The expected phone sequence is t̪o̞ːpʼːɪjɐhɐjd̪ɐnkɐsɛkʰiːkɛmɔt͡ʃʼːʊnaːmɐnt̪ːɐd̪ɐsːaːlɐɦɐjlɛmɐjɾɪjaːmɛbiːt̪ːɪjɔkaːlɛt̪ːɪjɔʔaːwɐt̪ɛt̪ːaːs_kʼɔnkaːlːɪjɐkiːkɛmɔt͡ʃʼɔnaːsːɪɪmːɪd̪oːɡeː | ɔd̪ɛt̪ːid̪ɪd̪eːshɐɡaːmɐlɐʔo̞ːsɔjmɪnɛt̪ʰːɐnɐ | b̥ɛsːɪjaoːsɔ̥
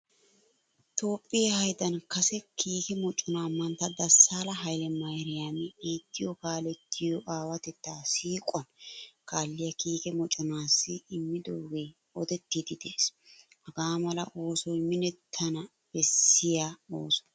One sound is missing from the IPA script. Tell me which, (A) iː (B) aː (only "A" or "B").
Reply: A